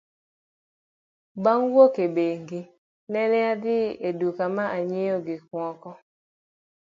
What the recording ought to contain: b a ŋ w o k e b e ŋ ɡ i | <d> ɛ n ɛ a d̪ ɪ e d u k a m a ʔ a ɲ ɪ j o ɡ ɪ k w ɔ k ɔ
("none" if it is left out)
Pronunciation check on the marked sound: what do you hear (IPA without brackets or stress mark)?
n